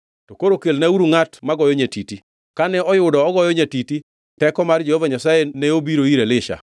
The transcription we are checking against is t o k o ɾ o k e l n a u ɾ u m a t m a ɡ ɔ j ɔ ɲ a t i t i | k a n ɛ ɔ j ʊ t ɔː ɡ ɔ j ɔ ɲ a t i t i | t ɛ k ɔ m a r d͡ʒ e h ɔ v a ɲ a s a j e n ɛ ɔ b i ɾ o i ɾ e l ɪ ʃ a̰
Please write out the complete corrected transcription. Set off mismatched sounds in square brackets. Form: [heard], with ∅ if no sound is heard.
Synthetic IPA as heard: t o k o ɾ o k e l n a u ɾ u [ŋ] a t m a ɡ ɔ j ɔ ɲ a t i t i | k a n ɛ ɔ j ʊ [d] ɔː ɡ ɔ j ɔ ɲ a t i t i | t ɛ k ɔ m a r d͡ʒ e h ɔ v a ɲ a s a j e n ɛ [o] b i ɾ o i ɾ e l ɪ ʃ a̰

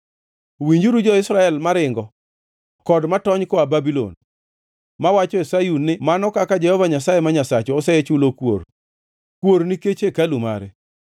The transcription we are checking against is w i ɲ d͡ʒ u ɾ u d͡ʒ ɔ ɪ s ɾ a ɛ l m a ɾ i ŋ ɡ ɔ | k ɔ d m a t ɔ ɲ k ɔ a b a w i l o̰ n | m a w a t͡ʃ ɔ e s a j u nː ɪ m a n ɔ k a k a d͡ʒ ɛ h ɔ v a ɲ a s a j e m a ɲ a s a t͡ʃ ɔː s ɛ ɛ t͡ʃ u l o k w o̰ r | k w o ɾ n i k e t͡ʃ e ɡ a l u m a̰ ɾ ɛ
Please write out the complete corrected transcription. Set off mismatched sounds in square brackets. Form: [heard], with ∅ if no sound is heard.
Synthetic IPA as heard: w i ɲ d͡ʒ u ɾ u d͡ʒ ɔ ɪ s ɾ a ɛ l m a ɾ [ɪ] ŋ ɡ ɔ | k ɔ d m a t ɔ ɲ k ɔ a b a [b] i l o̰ n | m a w a t͡ʃ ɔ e s a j u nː ɪ m a n ɔ k a k a d͡ʒ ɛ h ɔ v a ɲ a s a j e m a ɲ a s a t͡ʃ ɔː s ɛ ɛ t͡ʃ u l o k w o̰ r | k w o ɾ n i k e t͡ʃ e [k] a l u m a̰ ɾ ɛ

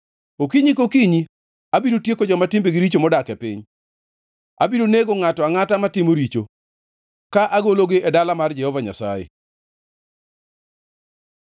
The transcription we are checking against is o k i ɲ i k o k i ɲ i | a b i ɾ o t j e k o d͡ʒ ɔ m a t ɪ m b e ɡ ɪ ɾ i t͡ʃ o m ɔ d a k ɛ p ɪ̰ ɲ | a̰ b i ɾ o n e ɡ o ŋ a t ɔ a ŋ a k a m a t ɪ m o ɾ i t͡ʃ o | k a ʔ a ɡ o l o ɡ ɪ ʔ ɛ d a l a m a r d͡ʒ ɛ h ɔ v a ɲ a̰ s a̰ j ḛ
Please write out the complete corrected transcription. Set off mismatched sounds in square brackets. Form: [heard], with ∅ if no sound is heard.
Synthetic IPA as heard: o k i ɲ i k o k i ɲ i | a b i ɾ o t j e k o d͡ʒ ɔ m a t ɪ m b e ɡ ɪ ɾ i t͡ʃ o m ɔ d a k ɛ p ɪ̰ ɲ | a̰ b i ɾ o n e ɡ o ŋ a t ɔ a ŋ a [t] a m a t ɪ m o ɾ i t͡ʃ o | k a ʔ a ɡ o l o ɡ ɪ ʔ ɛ d a l a m a r d͡ʒ ɛ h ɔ v a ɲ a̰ s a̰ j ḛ

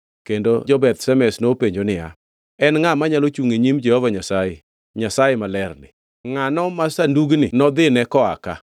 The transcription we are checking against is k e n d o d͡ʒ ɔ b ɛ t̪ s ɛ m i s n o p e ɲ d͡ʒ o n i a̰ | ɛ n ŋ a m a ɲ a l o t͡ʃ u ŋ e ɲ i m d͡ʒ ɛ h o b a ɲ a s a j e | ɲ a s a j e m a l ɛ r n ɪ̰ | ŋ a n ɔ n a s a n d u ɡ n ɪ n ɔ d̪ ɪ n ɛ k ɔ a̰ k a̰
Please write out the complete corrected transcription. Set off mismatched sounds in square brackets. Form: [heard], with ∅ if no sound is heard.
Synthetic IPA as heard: k e n d o d͡ʒ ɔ b ɛ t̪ s ɛ m [ɛ] s n o p e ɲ d͡ʒ o n [ɪ] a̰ | ɛ n ŋ a m a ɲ a l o t͡ʃ u ŋ e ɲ i m d͡ʒ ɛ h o [v] a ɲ a s a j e | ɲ a s a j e m a l ɛ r n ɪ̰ | ŋ a n ɔ [m] a s a n d u ɡ n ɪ n ɔ d̪ ɪ n ɛ k ɔ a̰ k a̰

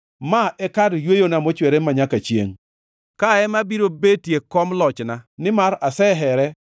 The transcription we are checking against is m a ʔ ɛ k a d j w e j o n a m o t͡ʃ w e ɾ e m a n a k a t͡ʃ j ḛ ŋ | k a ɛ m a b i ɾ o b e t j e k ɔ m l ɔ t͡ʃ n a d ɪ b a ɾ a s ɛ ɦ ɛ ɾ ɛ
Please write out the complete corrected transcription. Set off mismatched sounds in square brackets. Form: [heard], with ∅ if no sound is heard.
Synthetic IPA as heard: m a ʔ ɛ k a d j w e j o n a m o t͡ʃ w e ɾ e m a [ɲ] a k a t͡ʃ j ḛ ŋ | k a ɛ m a b i ɾ o b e t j e k ɔ m l ɔ t͡ʃ n a [n] ɪ [m] a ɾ a s ɛ ɦ ɛ ɾ ɛ

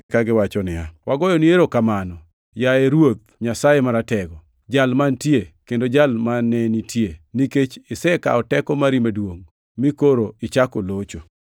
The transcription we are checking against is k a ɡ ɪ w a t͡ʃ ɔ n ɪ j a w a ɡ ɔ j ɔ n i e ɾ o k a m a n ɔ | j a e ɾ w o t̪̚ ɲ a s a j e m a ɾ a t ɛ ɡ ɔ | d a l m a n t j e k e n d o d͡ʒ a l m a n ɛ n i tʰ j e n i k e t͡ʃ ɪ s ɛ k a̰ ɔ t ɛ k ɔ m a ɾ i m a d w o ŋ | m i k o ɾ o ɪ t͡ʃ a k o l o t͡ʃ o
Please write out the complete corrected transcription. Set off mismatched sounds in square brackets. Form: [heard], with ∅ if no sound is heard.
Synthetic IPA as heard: k a ɡ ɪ w a t͡ʃ ɔ n ɪ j a w a ɡ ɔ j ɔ n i e ɾ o k a m a n ɔ | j a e ɾ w o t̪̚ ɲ a s a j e m a ɾ a t ɛ ɡ ɔ | [d͡ʒ] a l m a n t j e k e n d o d͡ʒ a l m a n ɛ n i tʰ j e n i k e t͡ʃ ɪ s ɛ k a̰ ɔ t ɛ k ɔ m a ɾ i m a d w o ŋ | m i k o ɾ o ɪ t͡ʃ a k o l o t͡ʃ o

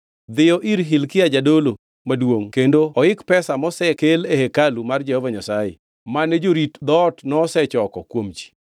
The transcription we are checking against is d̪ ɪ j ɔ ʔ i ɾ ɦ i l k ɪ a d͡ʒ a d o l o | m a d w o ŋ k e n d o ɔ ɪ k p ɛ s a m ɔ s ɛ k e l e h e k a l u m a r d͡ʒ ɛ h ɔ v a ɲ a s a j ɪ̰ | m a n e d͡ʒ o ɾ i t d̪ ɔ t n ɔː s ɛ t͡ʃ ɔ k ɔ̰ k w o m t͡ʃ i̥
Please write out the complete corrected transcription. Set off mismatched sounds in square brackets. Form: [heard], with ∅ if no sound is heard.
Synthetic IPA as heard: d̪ ɪ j ɔ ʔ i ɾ ɦ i l k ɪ a d͡ʒ a d o l o | m a d w o ŋ k e n d o ɔ ɪ k p ɛ s a m ɔ s ɛ k e l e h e k a l u m a r d͡ʒ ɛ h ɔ v a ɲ a s a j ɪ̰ | m a n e d͡ʒ o ɾ i t d̪ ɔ t n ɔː s ɛ t͡ʃ ɔ k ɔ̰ k w o m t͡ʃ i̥

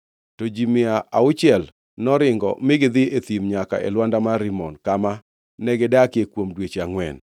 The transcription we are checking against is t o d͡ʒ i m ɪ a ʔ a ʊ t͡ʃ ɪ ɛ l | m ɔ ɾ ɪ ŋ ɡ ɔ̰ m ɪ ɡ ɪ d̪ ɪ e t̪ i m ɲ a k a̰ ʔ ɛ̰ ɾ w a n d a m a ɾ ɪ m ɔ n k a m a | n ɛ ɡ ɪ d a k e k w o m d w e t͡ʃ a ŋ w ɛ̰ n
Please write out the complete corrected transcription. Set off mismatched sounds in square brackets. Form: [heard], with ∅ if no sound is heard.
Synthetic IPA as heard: t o d͡ʒ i m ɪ a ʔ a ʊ t͡ʃ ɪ ɛ l | [n] ɔ ɾ ɪ ŋ ɡ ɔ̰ m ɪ ɡ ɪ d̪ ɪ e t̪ i m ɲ a k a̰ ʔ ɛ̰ [l] w a n d a m a ɾ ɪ m ɔ n k a m a | n ɛ ɡ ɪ d a k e k w o m d w e t͡ʃ a ŋ w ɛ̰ n

